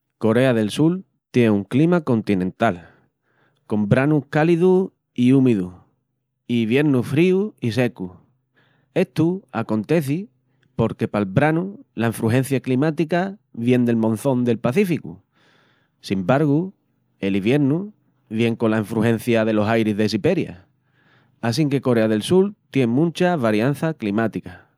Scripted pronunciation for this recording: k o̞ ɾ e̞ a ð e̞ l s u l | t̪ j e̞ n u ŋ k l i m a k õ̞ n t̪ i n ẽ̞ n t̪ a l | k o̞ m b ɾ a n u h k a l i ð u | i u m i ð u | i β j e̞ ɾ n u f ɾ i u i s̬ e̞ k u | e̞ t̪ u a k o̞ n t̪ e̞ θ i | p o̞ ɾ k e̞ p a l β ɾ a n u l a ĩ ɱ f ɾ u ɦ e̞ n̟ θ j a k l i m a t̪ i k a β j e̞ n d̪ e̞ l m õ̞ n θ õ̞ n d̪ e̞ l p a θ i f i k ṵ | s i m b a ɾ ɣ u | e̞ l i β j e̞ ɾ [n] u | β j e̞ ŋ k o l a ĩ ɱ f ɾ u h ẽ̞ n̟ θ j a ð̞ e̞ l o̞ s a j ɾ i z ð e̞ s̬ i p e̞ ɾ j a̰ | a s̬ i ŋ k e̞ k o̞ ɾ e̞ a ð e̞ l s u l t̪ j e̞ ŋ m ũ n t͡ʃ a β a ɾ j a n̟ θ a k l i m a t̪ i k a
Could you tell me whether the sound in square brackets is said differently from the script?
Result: no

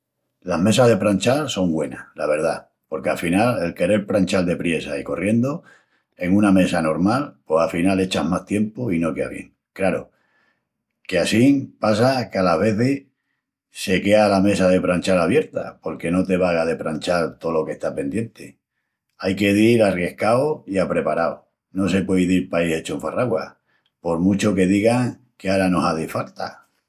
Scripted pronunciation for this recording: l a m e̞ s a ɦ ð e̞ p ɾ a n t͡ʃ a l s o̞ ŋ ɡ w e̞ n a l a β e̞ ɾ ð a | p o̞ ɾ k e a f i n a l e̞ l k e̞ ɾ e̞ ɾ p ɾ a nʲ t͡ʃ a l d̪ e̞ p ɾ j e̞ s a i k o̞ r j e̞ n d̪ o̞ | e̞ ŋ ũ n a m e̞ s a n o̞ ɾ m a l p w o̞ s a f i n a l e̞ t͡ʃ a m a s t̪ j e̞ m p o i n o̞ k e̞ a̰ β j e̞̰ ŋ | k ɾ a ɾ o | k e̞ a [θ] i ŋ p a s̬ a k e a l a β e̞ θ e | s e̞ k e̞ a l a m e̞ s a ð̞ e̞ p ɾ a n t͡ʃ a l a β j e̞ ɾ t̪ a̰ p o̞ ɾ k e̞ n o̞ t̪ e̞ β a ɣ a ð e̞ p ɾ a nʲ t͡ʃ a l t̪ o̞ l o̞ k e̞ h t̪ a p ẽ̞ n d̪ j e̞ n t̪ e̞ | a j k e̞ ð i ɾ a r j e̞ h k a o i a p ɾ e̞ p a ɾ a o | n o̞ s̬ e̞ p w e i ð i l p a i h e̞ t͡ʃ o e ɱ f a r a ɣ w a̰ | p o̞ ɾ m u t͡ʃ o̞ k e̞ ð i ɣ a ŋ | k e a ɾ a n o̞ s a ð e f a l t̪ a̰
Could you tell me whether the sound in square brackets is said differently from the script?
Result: yes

